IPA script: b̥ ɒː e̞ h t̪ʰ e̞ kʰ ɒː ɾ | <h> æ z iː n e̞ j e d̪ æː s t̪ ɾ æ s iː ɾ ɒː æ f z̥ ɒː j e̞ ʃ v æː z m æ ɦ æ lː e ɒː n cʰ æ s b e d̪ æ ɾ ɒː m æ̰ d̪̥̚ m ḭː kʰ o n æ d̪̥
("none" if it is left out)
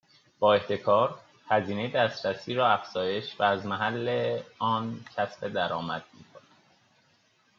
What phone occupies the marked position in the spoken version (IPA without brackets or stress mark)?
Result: h